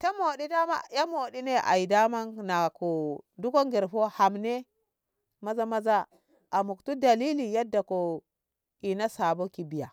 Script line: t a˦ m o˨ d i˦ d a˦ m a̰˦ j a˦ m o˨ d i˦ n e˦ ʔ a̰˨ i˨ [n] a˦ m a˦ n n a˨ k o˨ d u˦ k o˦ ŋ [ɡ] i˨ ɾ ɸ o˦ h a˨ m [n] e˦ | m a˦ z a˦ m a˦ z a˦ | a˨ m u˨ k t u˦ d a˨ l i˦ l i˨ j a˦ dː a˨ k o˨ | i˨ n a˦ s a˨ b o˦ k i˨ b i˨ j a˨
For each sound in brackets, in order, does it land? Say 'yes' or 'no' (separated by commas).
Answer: no, yes, yes